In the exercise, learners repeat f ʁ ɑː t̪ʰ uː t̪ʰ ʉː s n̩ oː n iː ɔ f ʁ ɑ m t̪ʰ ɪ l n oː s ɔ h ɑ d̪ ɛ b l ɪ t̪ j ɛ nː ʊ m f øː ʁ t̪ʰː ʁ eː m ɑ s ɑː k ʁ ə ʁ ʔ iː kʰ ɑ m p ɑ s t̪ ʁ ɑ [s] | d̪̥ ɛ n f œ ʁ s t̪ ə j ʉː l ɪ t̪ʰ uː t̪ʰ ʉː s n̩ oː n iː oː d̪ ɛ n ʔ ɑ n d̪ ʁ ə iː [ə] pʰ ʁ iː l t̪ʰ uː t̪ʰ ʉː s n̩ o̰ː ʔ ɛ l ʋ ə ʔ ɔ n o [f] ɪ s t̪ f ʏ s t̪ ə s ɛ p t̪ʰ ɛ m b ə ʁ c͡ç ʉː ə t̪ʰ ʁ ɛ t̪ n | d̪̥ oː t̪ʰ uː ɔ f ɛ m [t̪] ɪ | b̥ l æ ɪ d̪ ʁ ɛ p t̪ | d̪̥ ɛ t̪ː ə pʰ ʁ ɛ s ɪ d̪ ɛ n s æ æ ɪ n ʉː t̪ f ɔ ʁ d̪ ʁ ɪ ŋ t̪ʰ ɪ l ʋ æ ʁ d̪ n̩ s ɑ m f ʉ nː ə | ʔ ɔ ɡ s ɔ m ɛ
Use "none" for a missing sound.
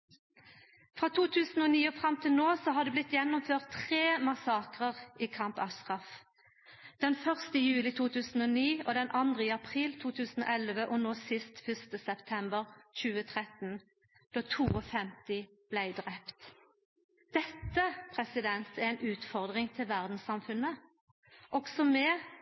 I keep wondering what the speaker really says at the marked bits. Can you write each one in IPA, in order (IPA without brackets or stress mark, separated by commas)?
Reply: f, ɑ, s, t̪